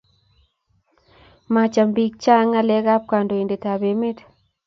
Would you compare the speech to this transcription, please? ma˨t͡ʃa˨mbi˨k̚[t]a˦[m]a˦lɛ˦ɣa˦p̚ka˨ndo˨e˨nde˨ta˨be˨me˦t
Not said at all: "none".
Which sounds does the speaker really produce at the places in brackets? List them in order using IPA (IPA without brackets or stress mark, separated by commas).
t͡ʃ, ŋ